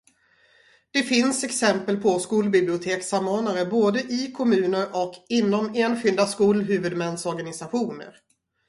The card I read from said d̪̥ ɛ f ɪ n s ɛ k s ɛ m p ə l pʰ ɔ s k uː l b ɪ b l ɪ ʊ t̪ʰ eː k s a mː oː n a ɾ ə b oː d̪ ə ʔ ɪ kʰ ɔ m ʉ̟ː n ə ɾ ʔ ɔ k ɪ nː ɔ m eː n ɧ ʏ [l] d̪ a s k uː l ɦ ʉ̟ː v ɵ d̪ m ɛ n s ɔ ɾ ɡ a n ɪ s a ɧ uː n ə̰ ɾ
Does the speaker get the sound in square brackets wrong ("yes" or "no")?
no